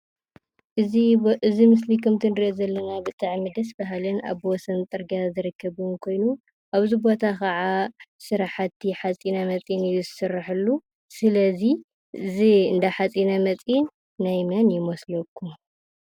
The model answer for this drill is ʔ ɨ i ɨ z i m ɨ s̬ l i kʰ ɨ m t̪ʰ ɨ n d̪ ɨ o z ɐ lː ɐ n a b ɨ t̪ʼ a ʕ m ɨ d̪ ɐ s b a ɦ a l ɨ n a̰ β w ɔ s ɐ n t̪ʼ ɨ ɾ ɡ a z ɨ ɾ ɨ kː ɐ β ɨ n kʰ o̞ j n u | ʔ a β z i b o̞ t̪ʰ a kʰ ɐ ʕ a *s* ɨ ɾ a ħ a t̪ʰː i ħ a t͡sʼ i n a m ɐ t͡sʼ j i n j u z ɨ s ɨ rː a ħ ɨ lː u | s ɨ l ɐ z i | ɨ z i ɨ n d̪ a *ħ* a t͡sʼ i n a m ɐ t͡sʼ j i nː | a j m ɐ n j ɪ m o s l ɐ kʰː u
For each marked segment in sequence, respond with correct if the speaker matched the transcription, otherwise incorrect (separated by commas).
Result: correct, correct